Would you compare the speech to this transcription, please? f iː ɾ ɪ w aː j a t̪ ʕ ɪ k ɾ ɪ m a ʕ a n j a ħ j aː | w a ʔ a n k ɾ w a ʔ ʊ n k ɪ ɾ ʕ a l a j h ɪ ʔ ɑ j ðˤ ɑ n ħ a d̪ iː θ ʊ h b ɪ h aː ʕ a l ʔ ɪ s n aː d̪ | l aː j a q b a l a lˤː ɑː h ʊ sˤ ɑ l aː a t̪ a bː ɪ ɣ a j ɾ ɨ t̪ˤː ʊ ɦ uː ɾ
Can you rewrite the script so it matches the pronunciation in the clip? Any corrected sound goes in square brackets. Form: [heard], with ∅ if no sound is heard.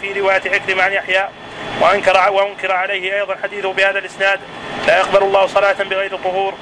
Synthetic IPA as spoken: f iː ɾ ɪ w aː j a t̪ ʕ ɪ k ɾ ɪ m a ʕ a n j a ħ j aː | w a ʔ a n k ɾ w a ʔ ʊ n k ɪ ɾ ʕ a l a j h ɪ ʔ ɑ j ðˤ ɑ n ħ a d̪ iː θ ʊ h b ɪ h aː [ð] a l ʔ ɪ s n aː d̪ | l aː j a q b a l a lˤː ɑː h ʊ sˤ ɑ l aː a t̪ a [b] ɪ ɣ a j ɾ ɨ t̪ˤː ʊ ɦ uː ɾ